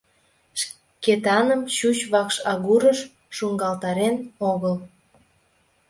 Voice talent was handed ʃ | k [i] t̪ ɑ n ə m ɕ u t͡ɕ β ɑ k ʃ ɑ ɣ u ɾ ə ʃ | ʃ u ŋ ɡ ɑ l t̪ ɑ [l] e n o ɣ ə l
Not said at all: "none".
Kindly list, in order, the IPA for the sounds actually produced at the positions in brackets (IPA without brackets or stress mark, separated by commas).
e, ɾ